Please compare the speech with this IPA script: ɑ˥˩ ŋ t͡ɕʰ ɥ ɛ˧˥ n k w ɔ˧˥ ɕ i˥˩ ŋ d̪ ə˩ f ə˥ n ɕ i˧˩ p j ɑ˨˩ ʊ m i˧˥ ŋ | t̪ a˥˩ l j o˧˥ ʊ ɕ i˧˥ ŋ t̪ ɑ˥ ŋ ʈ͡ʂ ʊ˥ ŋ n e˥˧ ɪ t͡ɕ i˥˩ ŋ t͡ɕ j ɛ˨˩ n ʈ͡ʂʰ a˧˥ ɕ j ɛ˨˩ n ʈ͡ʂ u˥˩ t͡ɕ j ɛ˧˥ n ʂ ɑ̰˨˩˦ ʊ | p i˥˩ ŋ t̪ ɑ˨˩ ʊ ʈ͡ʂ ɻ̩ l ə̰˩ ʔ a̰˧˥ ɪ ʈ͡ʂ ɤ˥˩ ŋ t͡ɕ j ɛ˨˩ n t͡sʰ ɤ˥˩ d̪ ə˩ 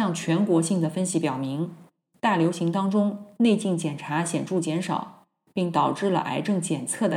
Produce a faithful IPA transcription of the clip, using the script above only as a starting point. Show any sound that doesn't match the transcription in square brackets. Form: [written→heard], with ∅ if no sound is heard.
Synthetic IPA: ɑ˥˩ ŋ t͡ɕʰ ɥ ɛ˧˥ n k w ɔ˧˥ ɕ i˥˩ ŋ d̪ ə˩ f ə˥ n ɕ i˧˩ p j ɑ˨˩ ʊ m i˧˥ ŋ | t̪ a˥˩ l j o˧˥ ʊ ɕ i˧˥ ŋ t̪ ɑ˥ ŋ ʈ͡ʂ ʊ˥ ŋ n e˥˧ ɪ t͡ɕ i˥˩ ŋ t͡ɕ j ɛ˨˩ n ʈ͡ʂʰ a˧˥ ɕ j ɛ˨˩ n ʈ͡ʂ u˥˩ t͡ɕ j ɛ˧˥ n ʂ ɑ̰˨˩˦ ʊ | p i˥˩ ŋ t̪ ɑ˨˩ ʊ ʈ͡ʂ ɻ̩ l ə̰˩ ʔ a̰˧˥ ɪ ʈ͡ʂ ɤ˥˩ ŋ t͡ɕ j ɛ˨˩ n t͡sʰ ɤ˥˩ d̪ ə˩